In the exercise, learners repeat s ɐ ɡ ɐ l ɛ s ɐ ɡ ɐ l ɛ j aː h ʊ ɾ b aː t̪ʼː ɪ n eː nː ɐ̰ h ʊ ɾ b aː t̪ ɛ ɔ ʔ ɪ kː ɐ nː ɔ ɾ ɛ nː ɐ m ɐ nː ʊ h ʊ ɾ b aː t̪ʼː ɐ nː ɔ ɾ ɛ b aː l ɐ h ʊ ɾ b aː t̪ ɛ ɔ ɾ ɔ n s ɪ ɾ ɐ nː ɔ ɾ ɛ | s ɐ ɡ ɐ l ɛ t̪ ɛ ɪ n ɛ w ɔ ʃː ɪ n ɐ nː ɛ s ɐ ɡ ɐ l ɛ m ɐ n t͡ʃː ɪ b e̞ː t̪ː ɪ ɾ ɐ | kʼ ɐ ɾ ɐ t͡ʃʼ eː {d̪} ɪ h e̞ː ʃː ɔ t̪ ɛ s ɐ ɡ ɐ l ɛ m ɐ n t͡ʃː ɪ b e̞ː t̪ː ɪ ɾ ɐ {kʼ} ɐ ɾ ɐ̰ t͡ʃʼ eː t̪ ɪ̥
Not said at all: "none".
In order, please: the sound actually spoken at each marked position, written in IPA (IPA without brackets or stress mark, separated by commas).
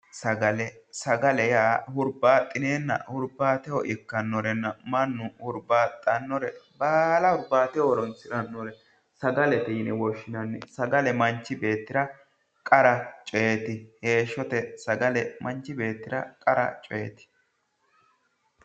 t̪, kʼ